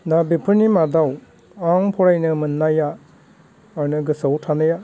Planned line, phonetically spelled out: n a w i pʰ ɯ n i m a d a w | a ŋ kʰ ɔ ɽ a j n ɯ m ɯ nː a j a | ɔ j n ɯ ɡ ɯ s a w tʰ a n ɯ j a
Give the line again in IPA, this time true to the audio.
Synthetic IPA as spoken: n a b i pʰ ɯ n i m a d a w | a ŋ pʰ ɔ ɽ a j n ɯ m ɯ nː a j a | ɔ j n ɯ ɡ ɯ s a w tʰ a n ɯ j a